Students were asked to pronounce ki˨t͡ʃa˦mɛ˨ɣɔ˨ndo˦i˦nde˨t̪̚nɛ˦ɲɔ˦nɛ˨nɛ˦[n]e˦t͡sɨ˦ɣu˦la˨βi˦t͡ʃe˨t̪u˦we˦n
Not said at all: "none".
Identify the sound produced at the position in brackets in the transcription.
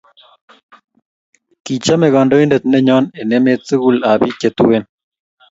m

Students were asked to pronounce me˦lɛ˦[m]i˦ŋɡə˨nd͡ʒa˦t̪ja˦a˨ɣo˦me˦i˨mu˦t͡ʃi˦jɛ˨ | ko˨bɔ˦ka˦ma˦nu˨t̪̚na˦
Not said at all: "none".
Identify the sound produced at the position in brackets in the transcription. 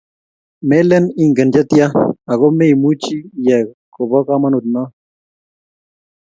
n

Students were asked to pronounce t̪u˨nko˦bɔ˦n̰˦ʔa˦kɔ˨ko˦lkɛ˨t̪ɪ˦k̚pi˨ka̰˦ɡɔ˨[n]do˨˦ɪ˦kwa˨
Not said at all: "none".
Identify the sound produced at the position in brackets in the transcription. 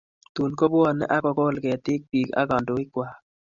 n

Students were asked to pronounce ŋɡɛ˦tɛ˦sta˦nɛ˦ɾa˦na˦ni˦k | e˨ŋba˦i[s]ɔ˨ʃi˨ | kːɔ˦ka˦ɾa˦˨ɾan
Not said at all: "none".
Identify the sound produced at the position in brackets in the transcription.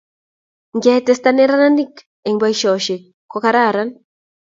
ʃ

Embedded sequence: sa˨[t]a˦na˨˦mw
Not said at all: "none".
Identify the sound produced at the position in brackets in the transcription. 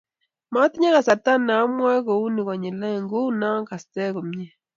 t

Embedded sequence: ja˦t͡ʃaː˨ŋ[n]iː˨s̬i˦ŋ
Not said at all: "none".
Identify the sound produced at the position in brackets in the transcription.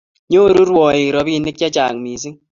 m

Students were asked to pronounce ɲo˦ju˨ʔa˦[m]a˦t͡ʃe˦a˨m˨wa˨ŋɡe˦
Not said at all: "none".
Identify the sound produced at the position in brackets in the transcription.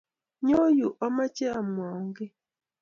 m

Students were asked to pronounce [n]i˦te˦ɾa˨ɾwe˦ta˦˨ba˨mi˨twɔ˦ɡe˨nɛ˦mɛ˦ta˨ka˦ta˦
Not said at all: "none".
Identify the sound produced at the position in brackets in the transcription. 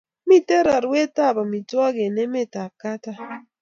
m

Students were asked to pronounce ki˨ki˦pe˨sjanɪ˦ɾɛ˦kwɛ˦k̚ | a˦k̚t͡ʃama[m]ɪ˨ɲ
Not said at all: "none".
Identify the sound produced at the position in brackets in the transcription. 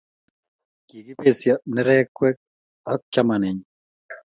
n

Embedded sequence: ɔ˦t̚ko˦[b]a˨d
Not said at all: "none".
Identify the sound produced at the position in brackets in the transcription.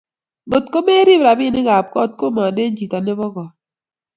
m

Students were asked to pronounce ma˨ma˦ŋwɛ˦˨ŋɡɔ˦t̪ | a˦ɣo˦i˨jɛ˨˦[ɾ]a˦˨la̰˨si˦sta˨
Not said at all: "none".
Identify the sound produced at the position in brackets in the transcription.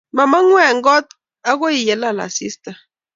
l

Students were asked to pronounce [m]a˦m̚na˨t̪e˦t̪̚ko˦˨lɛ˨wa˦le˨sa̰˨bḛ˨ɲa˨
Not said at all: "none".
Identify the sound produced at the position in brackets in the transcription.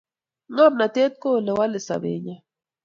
ŋ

